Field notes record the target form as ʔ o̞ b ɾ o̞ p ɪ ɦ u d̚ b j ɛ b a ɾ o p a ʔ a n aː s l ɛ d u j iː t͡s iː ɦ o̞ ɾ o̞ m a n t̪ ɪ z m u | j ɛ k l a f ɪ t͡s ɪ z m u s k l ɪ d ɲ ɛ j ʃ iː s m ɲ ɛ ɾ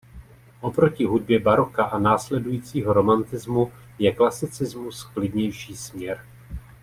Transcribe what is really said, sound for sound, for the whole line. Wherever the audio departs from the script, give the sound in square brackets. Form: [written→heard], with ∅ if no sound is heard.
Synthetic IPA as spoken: ʔ o̞ [b→p] ɾ o̞ [p→c] ɪ ɦ u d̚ b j ɛ b a ɾ o [p→k] a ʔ a n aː s l ɛ d u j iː t͡s iː ɦ o̞ ɾ o̞ m a n t̪ ɪ z m u | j ɛ k l a [f→s] ɪ t͡s ɪ z m u s k l ɪ d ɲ ɛ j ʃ iː s m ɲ ɛ ɾ

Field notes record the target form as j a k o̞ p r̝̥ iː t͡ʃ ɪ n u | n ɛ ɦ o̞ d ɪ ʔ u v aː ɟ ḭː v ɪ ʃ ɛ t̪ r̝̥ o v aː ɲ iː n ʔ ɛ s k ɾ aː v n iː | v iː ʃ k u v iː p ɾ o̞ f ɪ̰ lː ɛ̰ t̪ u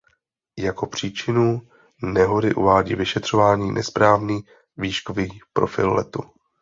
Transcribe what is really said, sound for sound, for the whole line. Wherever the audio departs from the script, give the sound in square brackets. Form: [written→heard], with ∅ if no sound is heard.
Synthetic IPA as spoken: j a k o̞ p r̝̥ iː t͡ʃ ɪ n u | n ɛ ɦ o̞ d ɪ ʔ u v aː ɟ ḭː v ɪ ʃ ɛ t̪ r̝̥ o v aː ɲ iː n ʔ ɛ s [k→p] ɾ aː v n iː | v iː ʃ k [u→o] v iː p ɾ o̞ f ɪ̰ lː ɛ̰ t̪ u

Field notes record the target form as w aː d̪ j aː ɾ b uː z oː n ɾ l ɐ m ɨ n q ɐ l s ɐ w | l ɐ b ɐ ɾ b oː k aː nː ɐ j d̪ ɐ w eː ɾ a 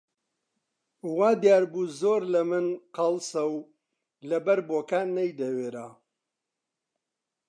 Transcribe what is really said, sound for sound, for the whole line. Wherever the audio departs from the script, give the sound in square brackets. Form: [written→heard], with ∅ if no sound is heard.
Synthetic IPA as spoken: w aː d̪ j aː ɾ b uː z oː [n→∅] ɾ l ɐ m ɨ n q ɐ l s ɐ w | l ɐ b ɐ ɾ b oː k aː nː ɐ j d̪ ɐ w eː ɾ a

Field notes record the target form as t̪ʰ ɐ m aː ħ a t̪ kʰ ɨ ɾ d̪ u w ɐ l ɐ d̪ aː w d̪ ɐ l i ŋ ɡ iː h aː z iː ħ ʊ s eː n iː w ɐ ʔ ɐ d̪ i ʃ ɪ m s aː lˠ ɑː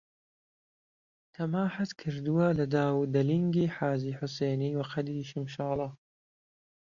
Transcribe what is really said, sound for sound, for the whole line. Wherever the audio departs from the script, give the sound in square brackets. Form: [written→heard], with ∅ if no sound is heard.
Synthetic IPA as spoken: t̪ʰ ɐ m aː ħ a t̪ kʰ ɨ ɾ d̪ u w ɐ l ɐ d̪ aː w d̪ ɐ l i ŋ ɡ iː [h→ħ] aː z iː ħ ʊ s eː n iː w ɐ [ʔ→q] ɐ d̪ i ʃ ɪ m [s→ʃ] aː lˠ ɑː

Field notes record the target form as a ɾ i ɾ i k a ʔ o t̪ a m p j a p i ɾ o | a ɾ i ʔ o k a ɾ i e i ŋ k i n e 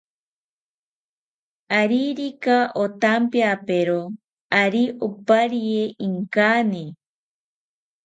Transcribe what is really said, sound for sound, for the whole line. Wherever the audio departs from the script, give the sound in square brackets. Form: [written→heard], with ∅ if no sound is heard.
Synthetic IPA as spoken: a ɾ i ɾ i k a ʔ o t̪ a m p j a p [i→e] ɾ o | a ɾ i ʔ o [k→p] a ɾ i e i ŋ k [i→a] n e

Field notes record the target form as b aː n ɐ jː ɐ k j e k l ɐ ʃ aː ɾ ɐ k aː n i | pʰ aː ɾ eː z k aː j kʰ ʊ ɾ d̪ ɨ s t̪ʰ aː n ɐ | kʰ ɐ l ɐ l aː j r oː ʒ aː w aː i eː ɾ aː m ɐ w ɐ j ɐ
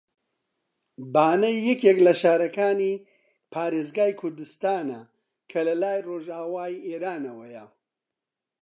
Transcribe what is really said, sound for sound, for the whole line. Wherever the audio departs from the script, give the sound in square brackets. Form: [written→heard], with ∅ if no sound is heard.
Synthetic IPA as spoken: b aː n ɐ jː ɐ k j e k l ɐ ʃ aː ɾ ɐ k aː n i | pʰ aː ɾ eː z [k→ɡ] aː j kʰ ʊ ɾ d̪ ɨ s [t̪ʰ→t̪] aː n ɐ | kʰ ɐ l ɐ l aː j r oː ʒ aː w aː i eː ɾ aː [m→n] ɐ w ɐ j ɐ

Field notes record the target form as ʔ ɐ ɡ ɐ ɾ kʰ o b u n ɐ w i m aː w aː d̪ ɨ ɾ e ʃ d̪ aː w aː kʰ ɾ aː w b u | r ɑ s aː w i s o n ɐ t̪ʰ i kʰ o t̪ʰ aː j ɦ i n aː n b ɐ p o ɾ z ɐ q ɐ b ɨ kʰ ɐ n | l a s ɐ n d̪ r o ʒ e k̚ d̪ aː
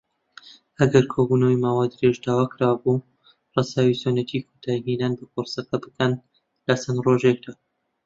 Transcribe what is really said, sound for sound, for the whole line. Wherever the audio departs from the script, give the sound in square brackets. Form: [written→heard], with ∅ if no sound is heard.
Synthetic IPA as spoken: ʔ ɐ ɡ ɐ ɾ kʰ o b u n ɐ w i m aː w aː d̪ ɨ ɾ e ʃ d̪ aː w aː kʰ ɾ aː w b u | r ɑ s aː w i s o n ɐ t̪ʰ i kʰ o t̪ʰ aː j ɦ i n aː n b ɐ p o ɾ [z→s] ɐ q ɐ b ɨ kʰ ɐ n | l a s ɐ n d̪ r o ʒ e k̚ d̪ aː

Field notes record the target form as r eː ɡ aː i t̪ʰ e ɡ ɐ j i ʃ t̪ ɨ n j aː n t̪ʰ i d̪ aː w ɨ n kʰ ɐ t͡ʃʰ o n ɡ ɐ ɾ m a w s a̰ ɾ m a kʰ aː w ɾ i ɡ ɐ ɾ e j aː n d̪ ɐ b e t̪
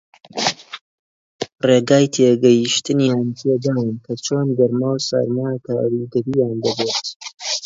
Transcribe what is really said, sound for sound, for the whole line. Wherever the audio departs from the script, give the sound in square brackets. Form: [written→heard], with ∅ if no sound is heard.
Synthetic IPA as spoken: r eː ɡ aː [i→j] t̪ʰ e ɡ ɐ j i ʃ t̪ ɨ n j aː n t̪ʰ [i→e] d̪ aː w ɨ n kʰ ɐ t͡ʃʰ o n ɡ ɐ ɾ m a w s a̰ ɾ m a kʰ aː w ɾ i ɡ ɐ ɾ [e→i] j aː n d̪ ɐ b e t̪

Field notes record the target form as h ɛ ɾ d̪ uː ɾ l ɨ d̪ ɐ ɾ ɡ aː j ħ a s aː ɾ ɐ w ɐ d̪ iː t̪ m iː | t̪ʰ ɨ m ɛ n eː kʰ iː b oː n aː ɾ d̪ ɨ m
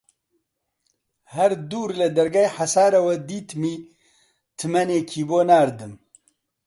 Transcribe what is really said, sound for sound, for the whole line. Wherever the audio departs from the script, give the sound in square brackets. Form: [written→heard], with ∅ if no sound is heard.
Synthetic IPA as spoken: h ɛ ɾ d̪ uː ɾ l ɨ d̪ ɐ ɾ ɡ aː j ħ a s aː ɾ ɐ w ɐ d̪ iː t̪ m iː | t̪ʰ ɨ m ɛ n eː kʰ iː b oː n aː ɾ d̪ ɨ m

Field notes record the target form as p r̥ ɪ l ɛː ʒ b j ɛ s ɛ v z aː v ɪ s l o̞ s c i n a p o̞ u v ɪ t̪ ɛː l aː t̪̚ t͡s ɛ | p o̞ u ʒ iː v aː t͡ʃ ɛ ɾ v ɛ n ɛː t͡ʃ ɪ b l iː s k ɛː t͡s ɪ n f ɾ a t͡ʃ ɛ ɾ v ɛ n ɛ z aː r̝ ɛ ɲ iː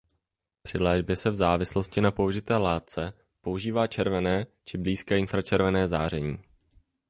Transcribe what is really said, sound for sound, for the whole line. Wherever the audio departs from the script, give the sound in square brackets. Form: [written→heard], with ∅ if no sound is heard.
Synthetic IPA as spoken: p r̥ ɪ l ɛː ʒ b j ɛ s ɛ v z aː v ɪ s l o̞ s c [i→ɪ] n a p o̞ u [v→ʒ] ɪ t̪ ɛː l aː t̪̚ t͡s ɛ | p o̞ u ʒ iː v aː t͡ʃ ɛ ɾ v ɛ n ɛː t͡ʃ ɪ b l iː s k ɛː [t͡s→∅] ɪ n f ɾ a t͡ʃ ɛ ɾ v ɛ n [ɛ→ɛː] z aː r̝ ɛ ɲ iː

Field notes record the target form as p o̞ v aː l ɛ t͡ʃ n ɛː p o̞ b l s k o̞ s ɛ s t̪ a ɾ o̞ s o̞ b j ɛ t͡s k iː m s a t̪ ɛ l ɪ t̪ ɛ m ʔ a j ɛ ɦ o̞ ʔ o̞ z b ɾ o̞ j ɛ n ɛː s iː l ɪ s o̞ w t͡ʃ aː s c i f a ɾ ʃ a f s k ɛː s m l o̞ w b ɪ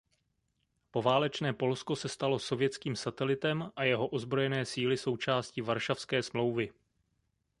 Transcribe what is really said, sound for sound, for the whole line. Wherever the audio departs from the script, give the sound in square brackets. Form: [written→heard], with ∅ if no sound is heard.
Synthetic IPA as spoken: p o̞ v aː l ɛ t͡ʃ n ɛː p o̞ [b→∅] l s k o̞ s ɛ s t̪ a [ɾ→l] o̞ s o̞ [b→v] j ɛ t͡s k iː m s a t̪ ɛ l ɪ t̪ ɛ m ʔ a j ɛ ɦ o̞ ʔ o̞ z b ɾ o̞ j ɛ n ɛː s iː l ɪ s o̞ w t͡ʃ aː s c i [f→v] a ɾ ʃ a f s k ɛː s m l o̞ w [b→v] ɪ

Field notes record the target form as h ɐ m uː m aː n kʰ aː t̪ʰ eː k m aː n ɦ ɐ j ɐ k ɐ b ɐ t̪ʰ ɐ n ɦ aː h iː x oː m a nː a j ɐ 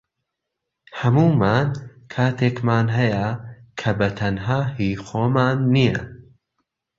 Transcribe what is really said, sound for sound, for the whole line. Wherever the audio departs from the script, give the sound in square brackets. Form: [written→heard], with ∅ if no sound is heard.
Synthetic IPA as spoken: h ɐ m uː m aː n kʰ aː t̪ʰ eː k m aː n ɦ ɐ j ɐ [k→kʰ] ɐ b ɐ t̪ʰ ɐ n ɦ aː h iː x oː m a nː [a→i] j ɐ

